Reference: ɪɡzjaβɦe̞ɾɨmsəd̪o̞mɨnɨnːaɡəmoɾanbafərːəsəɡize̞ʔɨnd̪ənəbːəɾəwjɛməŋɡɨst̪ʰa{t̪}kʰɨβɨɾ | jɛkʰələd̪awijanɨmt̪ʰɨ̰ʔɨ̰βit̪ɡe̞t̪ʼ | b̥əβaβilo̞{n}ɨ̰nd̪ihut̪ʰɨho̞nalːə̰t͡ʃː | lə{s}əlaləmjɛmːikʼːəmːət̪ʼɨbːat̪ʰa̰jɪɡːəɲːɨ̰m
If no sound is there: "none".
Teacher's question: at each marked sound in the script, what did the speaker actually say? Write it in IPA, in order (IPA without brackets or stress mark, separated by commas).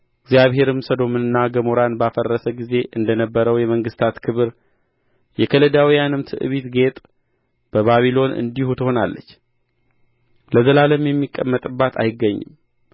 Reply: t̪, n, z